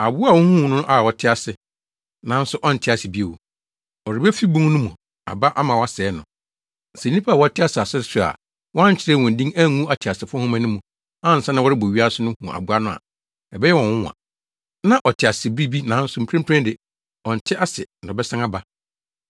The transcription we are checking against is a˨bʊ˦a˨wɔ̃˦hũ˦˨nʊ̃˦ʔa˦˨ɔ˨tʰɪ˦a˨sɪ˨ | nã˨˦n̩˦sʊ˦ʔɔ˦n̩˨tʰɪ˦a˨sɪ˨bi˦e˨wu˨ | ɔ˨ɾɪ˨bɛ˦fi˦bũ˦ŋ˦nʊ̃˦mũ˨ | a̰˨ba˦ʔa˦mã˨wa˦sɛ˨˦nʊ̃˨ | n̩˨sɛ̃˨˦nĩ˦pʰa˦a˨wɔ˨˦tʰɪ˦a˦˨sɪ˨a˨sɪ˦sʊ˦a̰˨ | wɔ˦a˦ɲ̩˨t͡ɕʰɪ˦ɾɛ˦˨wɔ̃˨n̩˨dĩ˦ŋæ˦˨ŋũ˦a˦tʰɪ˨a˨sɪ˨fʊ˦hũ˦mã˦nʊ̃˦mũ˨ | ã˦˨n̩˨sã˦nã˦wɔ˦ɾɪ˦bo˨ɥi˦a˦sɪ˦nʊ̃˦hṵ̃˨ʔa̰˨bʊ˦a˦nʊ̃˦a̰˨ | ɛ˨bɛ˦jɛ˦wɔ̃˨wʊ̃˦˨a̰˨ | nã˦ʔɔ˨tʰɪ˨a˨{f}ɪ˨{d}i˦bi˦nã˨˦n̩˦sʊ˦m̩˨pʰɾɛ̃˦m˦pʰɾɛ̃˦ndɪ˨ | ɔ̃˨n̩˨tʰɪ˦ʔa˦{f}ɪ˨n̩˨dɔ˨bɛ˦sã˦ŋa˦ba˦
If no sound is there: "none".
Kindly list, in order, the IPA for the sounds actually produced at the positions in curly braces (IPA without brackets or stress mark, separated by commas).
s, b, s